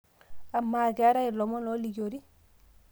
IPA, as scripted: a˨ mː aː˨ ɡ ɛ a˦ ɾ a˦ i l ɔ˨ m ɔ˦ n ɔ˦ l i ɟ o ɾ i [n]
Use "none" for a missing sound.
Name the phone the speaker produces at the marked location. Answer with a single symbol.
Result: none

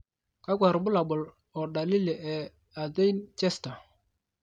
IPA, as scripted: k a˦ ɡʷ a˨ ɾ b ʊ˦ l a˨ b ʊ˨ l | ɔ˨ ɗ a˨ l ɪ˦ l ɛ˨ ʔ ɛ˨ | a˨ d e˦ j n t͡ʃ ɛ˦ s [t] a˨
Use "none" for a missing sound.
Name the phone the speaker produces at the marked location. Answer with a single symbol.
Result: t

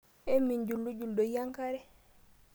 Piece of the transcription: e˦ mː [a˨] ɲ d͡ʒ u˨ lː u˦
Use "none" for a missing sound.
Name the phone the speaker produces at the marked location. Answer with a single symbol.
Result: i˨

